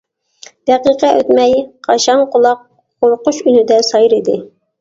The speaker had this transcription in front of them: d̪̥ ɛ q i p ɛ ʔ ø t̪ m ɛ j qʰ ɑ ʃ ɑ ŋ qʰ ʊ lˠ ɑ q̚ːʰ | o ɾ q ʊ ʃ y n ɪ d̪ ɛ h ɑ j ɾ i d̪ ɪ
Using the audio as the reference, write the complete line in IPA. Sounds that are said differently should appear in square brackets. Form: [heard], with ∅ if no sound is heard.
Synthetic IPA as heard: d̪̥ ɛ q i [q] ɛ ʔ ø t̪ m ɛ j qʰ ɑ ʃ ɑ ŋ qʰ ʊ lˠ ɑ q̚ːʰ | o ɾ q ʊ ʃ y n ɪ d̪ ɛ [s] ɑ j ɾ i d̪ ɪ

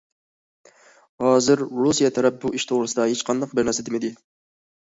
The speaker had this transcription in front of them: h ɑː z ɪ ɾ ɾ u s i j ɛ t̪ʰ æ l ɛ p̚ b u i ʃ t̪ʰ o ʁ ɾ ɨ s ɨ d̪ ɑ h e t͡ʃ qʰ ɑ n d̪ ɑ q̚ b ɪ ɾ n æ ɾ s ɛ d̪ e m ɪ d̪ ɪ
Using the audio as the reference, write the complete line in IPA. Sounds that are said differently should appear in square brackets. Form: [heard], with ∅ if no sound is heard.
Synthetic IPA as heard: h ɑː z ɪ ɾ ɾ u s i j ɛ t̪ʰ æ [ɾ] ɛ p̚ b u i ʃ t̪ʰ o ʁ ɾ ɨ s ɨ d̪ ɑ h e t͡ʃ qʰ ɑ n d̪ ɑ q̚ b ɪ ɾ n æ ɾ s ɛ d̪ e m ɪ d̪ ɪ

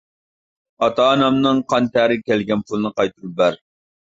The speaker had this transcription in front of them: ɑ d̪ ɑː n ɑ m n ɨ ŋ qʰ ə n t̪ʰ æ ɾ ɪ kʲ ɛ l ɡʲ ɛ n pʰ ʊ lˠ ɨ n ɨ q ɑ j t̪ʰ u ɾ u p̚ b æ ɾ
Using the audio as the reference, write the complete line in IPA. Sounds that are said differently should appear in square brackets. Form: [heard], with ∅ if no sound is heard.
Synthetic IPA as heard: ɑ [t̪] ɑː n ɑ m n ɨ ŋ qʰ [ɑ] n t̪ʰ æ ɾ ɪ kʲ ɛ l ɡʲ ɛ n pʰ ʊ lˠ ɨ n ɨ q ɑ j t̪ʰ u ɾ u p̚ b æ ɾ

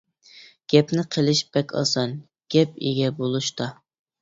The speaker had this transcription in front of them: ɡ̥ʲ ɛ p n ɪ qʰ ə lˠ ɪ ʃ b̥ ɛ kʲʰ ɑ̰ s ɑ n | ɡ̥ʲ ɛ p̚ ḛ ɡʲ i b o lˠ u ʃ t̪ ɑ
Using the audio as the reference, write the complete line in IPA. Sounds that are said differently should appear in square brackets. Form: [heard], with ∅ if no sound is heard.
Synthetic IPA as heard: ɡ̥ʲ ɛ p n ɪ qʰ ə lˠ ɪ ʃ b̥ ɛ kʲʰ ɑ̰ s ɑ n | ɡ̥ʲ ɛ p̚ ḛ ɡʲ [ɛ] b o lˠ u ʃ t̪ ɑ

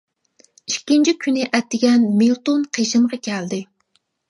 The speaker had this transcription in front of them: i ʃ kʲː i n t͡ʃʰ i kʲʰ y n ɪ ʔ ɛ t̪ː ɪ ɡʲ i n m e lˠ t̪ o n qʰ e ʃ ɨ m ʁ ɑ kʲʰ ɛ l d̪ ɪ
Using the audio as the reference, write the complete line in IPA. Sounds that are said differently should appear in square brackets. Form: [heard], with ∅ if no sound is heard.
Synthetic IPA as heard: i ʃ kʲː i n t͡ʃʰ i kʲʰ y n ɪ ʔ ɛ t̪ː ɪ ɡʲ [ɛ] n m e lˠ t̪ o n qʰ e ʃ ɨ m ʁ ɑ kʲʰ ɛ l d̪ ɪ

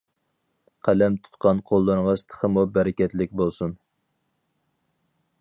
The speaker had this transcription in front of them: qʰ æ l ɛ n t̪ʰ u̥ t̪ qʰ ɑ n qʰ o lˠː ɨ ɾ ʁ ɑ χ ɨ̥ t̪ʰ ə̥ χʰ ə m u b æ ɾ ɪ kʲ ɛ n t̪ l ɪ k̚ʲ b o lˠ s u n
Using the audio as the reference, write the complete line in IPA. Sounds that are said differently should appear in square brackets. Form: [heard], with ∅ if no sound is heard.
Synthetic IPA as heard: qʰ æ l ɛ [m] t̪ʰ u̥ t̪ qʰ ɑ n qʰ o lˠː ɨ ɾ ʁ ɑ [s] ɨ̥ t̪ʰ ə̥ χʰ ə m u b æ ɾ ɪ kʲ ɛ [∅] t̪ l ɪ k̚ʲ b o lˠ s u n

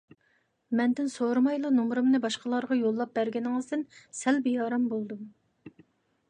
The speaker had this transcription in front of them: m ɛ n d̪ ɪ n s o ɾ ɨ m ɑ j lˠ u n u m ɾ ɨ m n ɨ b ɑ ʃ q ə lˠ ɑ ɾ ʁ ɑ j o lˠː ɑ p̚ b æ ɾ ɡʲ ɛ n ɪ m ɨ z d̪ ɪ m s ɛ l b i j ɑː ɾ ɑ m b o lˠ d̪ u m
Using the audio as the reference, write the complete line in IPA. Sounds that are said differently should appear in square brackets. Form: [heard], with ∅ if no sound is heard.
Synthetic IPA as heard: m ɛ n d̪ ɪ n s o ɾ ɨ m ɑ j lˠ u n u m ɾ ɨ m n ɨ b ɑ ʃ q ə lˠ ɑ ɾ ʁ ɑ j o lˠː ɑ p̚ b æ ɾ ɡʲ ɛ n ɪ [ŋ] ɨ z d̪ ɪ [n] s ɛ l b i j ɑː ɾ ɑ m b o lˠ d̪ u m

